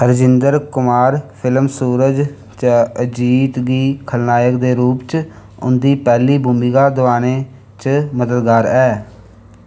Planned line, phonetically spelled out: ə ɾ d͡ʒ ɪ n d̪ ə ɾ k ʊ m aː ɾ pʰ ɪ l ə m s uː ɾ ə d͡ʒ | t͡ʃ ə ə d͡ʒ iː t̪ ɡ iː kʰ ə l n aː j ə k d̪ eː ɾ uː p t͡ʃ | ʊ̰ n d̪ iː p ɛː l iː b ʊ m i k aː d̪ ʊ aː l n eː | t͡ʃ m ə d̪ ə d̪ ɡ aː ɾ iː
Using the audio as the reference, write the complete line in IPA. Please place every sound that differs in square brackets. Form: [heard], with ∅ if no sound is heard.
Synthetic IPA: ə ɾ d͡ʒ ɪ n d̪ ə ɾ k ʊ m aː ɾ pʰ ɪ l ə m s uː ɾ ə d͡ʒ | t͡ʃ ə ə d͡ʒ iː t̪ ɡ iː kʰ ə l n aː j ə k d̪ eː ɾ uː p t͡ʃ | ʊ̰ n d̪ iː p ɛː l iː b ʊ m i [ɡ] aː d̪ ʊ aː [∅] n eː | t͡ʃ m ə d̪ ə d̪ ɡ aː ɾ [ɛː]